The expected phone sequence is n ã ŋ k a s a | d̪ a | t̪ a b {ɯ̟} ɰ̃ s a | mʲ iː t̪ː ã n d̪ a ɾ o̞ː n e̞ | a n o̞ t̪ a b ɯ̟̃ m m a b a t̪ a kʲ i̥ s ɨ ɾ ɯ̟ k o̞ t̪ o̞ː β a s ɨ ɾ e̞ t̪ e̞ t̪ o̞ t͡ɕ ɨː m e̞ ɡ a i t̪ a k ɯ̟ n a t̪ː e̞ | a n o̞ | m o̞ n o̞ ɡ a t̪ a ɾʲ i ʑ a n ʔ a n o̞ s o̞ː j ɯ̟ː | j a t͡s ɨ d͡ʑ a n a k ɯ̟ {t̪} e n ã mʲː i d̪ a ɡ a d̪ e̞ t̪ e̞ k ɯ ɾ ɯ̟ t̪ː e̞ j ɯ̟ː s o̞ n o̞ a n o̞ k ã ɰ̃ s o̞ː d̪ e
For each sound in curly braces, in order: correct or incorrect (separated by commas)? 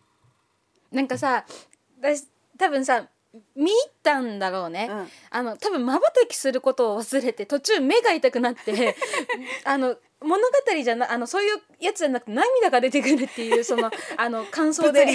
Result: incorrect, correct